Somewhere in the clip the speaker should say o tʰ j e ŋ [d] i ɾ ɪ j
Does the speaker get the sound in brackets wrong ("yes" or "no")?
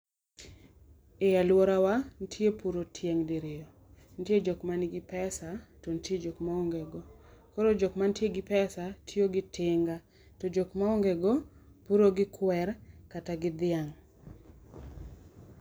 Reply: no